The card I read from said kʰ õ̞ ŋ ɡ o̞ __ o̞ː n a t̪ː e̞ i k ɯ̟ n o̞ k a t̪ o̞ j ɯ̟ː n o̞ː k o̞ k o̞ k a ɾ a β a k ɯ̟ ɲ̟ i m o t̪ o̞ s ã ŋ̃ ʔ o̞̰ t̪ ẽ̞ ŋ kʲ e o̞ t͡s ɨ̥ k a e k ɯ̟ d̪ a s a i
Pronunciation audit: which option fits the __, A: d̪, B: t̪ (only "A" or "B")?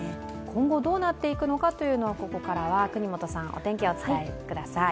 A